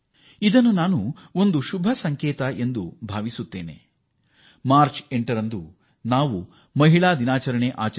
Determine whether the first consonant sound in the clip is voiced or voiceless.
voiced